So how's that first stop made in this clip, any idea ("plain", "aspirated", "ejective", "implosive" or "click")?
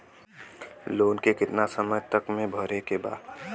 plain